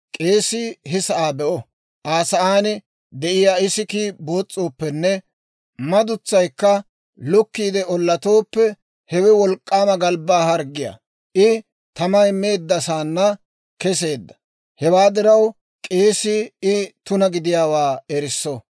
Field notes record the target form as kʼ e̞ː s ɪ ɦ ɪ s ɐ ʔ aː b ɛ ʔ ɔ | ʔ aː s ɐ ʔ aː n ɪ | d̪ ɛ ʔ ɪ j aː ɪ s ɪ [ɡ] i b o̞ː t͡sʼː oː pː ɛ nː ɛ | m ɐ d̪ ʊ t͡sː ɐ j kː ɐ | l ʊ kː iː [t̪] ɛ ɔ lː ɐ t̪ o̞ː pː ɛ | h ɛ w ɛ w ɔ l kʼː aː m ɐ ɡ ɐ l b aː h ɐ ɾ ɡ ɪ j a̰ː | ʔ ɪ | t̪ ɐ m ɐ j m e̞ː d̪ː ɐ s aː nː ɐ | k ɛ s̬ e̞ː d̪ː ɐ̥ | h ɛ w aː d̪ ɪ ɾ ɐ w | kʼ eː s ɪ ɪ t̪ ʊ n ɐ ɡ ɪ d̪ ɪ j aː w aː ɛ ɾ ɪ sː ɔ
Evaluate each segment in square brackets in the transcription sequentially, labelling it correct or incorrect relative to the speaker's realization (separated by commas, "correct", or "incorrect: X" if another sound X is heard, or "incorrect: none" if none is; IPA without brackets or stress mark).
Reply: incorrect: k, incorrect: d̪